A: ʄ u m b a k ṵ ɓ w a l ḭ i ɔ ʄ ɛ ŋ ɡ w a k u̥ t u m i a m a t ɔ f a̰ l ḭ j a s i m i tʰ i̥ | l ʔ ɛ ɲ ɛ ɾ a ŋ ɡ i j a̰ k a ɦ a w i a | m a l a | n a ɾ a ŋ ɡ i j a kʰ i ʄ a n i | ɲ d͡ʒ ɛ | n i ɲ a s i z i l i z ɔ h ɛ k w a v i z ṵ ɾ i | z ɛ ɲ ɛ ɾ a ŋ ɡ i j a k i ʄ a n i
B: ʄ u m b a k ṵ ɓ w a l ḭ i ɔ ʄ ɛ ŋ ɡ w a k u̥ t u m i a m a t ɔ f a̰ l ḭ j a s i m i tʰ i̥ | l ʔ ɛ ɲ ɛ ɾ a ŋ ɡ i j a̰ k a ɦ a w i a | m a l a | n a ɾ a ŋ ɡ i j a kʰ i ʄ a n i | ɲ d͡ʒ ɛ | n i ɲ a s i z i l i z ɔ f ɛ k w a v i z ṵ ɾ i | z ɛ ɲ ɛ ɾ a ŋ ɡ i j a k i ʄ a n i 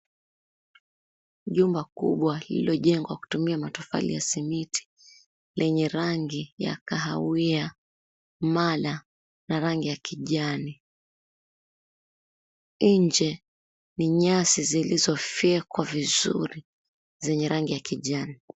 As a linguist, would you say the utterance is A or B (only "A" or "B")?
B